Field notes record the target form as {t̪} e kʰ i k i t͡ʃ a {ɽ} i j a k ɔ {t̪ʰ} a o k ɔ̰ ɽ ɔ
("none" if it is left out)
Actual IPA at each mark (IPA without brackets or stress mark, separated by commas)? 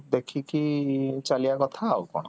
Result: d̪, l, t̪ʰ